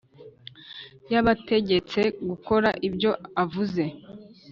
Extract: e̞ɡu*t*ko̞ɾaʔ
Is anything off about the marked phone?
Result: yes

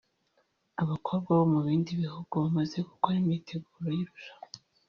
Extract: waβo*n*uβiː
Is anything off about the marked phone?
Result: yes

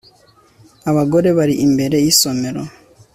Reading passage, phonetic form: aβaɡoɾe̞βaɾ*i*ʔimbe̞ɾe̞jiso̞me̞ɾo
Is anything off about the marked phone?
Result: no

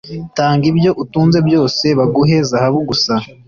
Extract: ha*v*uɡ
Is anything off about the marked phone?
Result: yes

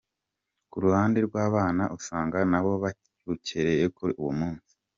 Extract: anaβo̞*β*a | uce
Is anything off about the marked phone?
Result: no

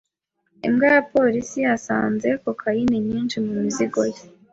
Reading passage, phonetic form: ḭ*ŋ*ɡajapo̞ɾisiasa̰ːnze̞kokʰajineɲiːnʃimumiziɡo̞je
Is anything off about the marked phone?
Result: yes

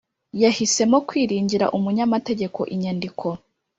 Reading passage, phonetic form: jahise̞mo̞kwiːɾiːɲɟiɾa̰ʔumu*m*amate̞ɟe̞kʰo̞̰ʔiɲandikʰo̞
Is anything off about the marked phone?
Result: yes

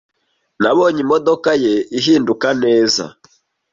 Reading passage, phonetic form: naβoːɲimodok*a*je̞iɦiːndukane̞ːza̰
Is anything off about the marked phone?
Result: no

